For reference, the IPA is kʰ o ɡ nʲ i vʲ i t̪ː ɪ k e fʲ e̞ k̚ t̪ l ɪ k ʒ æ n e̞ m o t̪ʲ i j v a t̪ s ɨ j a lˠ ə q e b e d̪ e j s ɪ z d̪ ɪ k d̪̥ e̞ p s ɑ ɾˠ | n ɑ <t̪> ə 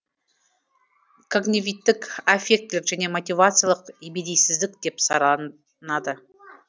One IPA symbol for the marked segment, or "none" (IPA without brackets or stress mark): d̪